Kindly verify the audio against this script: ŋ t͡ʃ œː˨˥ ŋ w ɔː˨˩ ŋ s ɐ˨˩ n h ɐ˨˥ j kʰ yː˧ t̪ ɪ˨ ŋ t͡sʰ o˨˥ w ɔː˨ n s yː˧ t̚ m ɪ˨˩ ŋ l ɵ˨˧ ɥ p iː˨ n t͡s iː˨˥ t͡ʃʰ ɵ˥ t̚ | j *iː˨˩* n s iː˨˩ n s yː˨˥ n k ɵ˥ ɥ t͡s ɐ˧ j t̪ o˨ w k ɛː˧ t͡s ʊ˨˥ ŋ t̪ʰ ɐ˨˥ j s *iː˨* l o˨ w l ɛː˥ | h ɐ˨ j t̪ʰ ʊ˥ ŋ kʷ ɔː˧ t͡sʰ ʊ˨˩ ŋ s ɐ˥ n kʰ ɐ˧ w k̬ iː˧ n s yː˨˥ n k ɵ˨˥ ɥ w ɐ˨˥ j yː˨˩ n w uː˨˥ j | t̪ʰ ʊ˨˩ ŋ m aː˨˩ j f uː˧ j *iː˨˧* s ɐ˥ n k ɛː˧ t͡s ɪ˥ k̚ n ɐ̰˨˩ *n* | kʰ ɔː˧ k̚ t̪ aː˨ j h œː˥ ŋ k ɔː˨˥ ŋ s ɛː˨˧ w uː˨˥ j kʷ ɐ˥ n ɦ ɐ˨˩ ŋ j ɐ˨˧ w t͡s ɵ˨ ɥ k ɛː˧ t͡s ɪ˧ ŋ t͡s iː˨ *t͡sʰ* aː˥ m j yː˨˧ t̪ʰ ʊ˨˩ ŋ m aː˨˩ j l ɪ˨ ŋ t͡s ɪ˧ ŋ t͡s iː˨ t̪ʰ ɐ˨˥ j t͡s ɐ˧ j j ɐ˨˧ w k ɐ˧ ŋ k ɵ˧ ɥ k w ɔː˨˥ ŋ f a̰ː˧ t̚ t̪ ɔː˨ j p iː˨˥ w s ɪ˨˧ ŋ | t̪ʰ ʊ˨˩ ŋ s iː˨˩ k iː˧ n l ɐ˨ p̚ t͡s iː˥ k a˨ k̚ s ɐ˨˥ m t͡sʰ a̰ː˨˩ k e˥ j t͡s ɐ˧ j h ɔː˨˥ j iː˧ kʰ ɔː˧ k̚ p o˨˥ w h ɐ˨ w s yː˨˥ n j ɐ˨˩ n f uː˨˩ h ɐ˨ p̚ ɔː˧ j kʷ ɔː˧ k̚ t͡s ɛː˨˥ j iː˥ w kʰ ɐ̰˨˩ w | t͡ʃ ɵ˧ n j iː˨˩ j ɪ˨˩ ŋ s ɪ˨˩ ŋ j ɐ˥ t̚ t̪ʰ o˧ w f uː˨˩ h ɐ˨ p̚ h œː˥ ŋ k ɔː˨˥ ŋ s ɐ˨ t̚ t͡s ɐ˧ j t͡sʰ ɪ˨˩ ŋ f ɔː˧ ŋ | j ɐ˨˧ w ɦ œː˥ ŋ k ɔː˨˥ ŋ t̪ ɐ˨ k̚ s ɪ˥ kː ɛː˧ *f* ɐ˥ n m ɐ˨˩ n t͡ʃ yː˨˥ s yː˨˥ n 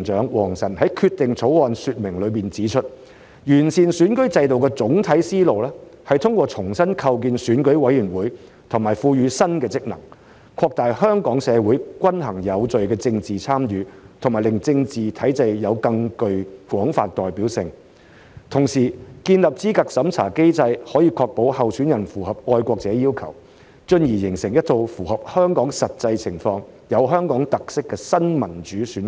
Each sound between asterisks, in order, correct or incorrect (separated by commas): incorrect, incorrect, incorrect, incorrect, correct, incorrect